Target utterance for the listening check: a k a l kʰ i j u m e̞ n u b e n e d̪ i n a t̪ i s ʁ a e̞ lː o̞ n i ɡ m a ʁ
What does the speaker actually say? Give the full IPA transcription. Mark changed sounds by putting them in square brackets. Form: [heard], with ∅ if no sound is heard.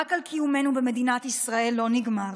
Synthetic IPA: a k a l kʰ i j u m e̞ n u b e [m] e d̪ i n a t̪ i s ʁ a e̞ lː o̞ n i ɡ m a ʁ